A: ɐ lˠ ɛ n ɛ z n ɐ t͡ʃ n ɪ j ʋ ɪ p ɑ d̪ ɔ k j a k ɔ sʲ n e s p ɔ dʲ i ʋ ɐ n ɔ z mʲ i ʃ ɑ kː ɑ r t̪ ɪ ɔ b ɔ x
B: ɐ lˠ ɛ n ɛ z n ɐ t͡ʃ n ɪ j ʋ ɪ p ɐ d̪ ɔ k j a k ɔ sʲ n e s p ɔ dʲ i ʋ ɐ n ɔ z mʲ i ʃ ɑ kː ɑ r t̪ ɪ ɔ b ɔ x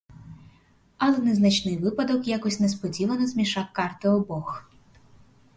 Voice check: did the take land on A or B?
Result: B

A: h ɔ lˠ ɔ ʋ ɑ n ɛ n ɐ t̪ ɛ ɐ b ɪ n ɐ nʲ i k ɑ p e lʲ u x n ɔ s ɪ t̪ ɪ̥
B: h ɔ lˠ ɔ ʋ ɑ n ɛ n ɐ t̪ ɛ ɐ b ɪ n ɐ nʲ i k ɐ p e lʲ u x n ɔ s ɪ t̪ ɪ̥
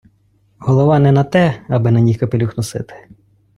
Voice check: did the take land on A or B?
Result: B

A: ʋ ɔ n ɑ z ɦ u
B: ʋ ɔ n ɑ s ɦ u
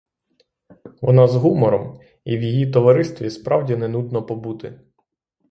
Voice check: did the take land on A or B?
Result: A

